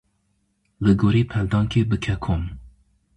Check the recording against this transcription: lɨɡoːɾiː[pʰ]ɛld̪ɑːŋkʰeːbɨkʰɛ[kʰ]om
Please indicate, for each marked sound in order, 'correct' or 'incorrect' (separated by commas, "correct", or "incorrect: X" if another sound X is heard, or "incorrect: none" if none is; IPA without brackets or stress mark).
correct, correct